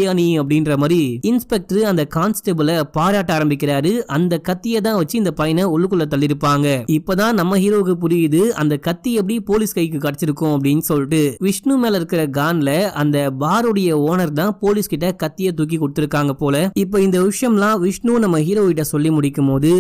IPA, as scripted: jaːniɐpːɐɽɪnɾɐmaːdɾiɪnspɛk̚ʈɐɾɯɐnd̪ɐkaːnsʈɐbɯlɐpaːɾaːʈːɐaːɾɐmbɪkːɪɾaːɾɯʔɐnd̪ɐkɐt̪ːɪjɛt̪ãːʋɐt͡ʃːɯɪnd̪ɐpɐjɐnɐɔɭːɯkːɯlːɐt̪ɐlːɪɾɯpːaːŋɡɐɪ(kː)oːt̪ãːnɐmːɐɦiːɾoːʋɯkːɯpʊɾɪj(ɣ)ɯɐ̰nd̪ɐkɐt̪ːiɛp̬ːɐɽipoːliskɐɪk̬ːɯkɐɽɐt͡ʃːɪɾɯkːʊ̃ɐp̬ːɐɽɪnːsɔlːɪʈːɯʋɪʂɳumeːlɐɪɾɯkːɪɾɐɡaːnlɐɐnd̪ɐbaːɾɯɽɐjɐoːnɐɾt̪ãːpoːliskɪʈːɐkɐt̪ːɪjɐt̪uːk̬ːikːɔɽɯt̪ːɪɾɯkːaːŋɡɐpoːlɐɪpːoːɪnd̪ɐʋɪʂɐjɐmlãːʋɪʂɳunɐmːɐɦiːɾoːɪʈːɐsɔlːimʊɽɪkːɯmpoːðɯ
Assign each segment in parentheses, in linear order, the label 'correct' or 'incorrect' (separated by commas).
incorrect, incorrect